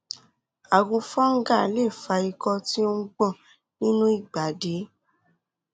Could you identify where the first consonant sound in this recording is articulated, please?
velar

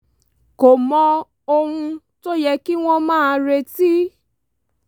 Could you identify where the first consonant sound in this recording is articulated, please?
velar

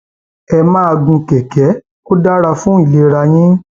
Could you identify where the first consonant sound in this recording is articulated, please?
labial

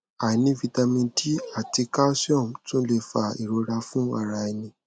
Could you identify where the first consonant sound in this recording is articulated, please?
alveolar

